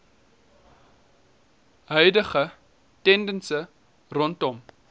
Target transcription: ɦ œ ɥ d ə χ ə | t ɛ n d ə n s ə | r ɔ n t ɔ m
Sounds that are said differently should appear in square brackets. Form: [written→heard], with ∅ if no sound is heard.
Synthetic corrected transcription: ɦ œ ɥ d ə χ ə | t ɛ n d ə n s ə | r ɔ n t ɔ m

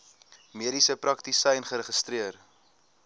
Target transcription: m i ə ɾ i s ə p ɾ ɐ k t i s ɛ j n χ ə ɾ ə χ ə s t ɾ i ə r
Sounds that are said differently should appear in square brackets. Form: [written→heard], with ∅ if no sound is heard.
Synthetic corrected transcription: m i ə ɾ i s ə p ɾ ɐ k t i s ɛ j n χ ə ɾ ə χ ə s t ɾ i ə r

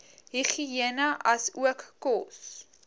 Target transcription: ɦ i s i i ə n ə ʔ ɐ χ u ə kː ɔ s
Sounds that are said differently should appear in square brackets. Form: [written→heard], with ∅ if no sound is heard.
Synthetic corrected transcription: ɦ i [s→χ] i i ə n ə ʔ ɐ [χ→s] u ə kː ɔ s

